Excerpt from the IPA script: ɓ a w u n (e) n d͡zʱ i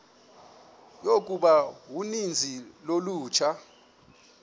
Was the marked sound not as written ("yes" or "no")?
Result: yes